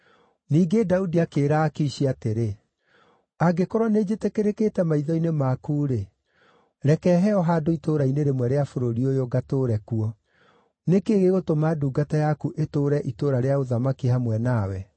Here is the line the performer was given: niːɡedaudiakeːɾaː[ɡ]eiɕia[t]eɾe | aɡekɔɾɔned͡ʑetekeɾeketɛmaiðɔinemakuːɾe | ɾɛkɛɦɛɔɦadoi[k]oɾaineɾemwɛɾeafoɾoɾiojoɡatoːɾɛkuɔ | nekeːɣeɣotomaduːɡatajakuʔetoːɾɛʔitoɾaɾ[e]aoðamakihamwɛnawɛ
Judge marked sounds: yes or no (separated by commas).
no, yes, no, yes